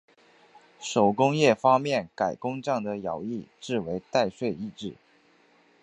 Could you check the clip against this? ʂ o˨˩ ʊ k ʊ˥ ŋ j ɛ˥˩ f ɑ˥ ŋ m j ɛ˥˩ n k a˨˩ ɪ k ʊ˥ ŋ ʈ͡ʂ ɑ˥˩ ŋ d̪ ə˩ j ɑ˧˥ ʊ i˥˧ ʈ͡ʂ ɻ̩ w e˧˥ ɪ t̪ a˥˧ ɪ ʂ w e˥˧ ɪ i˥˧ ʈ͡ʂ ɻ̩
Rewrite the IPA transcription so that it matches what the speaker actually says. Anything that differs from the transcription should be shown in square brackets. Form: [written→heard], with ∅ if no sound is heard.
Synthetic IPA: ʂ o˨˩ ʊ k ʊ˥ ŋ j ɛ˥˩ f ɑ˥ ŋ m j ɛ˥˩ n k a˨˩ ɪ k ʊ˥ ŋ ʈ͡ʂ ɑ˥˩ ŋ d̪ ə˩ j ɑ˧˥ ʊ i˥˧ ʈ͡ʂ ɻ̩ w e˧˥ ɪ t̪ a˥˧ ɪ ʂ w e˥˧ ɪ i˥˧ ʈ͡ʂ ɻ̩